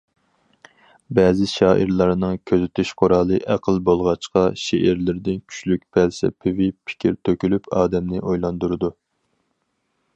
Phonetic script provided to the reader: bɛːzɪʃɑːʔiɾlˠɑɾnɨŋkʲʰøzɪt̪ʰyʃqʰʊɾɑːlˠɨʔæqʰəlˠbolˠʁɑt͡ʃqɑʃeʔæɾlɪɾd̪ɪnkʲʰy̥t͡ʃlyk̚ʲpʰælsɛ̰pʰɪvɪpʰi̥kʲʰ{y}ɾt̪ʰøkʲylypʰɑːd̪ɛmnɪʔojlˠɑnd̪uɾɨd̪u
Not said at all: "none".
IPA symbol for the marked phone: i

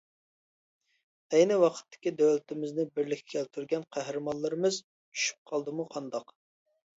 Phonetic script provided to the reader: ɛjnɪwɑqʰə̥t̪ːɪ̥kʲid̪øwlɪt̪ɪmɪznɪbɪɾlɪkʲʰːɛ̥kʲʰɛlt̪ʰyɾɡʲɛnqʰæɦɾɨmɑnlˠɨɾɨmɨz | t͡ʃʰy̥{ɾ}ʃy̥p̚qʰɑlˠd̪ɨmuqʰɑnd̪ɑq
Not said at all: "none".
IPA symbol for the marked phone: none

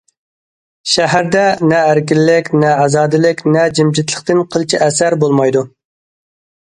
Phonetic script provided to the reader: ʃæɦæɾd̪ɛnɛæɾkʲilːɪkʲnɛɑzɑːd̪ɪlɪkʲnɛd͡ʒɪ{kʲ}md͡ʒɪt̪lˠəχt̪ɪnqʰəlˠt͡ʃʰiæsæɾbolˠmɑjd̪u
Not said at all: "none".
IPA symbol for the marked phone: none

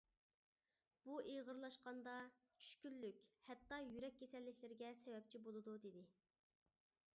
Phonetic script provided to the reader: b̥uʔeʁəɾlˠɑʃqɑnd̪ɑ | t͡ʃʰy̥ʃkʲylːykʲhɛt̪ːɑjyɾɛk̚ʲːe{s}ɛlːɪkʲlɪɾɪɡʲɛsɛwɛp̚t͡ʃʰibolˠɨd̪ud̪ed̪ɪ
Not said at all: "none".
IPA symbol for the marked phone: s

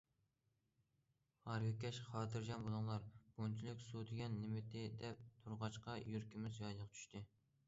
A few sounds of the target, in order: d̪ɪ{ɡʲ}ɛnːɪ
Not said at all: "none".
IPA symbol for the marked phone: ɡʲ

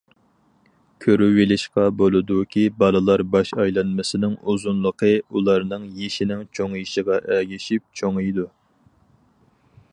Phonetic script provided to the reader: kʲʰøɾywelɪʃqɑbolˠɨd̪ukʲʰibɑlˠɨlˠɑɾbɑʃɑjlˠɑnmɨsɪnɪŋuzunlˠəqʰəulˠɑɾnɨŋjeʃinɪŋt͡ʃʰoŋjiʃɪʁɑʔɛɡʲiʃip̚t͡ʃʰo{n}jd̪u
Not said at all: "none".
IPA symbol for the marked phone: ŋ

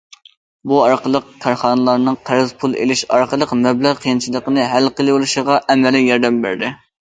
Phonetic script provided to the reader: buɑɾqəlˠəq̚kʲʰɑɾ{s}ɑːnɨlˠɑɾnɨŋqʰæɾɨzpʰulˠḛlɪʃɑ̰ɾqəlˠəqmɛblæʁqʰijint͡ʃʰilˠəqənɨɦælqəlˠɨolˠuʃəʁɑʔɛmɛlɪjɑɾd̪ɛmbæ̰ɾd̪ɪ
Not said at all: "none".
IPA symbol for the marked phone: χ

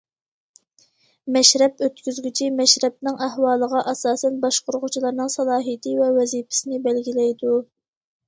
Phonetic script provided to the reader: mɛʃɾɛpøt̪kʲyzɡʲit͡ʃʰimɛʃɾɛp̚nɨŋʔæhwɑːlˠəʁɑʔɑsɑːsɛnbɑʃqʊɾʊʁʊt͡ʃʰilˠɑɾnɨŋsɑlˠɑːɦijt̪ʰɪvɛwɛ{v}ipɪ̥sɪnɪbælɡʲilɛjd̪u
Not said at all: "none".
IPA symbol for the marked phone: z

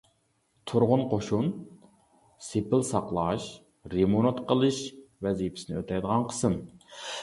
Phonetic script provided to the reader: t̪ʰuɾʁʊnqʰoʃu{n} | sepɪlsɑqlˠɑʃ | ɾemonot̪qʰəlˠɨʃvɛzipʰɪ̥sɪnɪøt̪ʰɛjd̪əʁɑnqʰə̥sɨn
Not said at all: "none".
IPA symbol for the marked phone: n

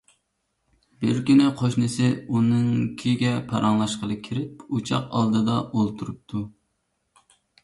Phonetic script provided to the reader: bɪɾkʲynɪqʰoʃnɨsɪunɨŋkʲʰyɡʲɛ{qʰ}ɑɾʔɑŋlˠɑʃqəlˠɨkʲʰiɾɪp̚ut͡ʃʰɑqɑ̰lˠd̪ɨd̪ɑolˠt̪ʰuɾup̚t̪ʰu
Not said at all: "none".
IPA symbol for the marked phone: pʰ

